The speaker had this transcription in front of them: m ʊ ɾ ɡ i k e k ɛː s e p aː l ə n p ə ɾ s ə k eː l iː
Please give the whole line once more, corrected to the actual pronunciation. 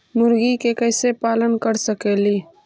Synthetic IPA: m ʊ ɾ ɡ i k e k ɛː s e p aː l ə n k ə ɾ s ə k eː l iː